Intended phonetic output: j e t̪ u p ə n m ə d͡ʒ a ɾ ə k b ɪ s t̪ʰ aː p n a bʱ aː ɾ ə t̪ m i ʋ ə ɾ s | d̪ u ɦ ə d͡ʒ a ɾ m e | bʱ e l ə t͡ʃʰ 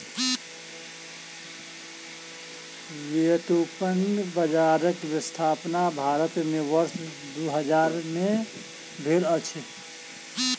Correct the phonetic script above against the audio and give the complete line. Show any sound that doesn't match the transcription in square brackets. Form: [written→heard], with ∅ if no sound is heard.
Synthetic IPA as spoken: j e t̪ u p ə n [m→b] ə d͡ʒ a ɾ ə k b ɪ s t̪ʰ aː p n a bʱ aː ɾ ə t̪ m [i→e] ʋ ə ɾ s | d̪ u ɦ ə d͡ʒ a ɾ m e | bʱ e l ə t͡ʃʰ